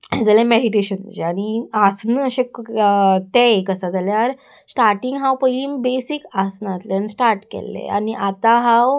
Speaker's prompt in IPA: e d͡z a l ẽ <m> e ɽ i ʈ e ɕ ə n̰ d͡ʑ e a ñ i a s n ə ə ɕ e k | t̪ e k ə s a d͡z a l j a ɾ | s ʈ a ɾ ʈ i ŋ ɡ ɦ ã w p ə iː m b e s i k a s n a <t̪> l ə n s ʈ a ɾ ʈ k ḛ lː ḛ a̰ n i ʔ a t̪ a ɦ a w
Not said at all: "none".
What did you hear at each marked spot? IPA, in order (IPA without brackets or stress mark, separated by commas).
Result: m, t̪